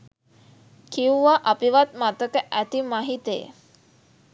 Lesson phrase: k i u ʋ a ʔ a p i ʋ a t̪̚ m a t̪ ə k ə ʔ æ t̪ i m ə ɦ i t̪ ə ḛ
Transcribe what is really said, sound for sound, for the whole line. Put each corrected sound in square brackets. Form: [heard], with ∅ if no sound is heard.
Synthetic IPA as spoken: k i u ʋ a ʔ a p i ʋ a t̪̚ m a t̪ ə k ə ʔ æ t̪ i m [a] ɦ i t̪ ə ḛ

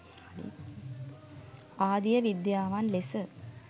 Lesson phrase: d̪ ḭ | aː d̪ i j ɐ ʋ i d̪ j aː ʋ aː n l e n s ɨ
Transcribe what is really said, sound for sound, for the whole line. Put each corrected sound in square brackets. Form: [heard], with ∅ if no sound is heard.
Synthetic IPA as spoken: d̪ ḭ | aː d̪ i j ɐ ʋ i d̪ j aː ʋ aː n l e [∅] s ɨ

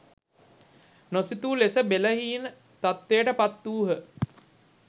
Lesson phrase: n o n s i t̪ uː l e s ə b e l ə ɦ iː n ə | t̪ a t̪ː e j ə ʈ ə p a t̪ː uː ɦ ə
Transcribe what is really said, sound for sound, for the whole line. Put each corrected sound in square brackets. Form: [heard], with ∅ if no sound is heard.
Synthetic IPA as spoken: n o [∅] s i t̪ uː l e s ə b e l ə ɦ iː n ə | t̪ a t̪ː e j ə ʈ ə p a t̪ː uː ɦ ə

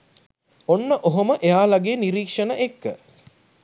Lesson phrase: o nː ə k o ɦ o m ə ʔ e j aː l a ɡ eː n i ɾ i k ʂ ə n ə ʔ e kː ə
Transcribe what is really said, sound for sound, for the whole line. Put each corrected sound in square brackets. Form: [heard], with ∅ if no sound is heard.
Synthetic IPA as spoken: o nː ə [ʔ] o ɦ o m ə ʔ e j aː l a ɡ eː n i ɾ [iː] k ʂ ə n ə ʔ e kː ə

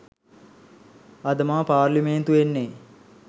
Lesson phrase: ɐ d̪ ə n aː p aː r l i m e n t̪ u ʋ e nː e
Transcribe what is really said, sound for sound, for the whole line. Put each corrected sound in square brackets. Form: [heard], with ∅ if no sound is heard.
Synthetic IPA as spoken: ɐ d̪ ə [m] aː p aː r l i m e n t̪ u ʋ e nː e

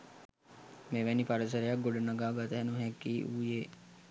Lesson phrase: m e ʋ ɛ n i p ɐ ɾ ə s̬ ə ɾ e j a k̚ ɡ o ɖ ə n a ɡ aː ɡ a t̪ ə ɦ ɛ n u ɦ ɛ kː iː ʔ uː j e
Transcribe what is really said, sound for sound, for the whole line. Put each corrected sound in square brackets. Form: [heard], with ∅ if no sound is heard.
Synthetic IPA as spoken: m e ʋ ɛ n i p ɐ ɾ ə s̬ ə ɾ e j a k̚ ɡ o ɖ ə n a ɡ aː ɡ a t̪ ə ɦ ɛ n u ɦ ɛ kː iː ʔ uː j e

